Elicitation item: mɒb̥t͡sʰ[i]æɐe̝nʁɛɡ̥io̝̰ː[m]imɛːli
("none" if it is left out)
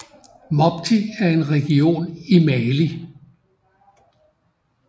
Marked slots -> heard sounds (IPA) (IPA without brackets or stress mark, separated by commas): i, n